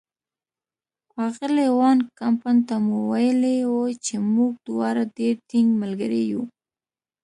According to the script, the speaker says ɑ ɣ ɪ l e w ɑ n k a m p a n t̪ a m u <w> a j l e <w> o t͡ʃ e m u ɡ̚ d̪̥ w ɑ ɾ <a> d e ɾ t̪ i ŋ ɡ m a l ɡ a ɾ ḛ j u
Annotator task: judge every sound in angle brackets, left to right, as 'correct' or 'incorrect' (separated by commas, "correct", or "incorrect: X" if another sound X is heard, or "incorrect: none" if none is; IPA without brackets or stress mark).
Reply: correct, correct, correct